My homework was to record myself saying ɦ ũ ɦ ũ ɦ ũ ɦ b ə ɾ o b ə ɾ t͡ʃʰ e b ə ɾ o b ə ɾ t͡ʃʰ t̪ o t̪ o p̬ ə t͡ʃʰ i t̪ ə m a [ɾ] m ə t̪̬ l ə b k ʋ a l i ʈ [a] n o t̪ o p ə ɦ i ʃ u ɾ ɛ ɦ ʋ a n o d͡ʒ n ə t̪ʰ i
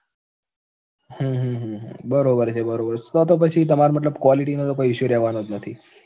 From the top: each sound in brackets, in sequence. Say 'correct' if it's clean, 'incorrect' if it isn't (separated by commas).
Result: correct, incorrect